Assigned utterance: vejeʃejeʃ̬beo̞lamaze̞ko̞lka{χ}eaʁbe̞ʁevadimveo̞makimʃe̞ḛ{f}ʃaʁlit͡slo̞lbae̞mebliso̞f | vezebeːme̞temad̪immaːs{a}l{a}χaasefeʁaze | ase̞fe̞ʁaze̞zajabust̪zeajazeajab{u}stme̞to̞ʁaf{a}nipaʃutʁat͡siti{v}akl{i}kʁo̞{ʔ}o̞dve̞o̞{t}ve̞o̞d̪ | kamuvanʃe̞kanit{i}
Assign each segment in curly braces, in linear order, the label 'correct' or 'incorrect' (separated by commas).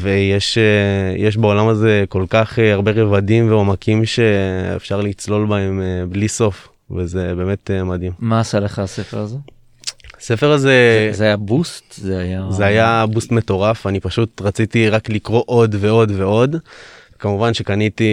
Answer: correct, correct, correct, incorrect, correct, correct, incorrect, correct, correct, incorrect, correct